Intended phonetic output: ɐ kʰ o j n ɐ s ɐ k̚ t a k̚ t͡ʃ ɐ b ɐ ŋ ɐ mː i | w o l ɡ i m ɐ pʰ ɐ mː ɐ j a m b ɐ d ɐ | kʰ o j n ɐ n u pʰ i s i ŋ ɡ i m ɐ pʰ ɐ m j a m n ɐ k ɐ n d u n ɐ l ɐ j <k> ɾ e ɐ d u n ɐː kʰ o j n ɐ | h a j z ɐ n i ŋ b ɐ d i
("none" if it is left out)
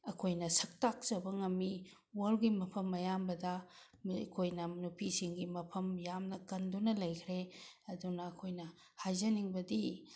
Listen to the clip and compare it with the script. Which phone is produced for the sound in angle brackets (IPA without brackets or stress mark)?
kʰ